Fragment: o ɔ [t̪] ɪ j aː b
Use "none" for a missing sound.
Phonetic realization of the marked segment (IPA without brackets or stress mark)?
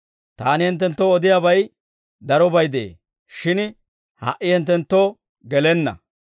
d̪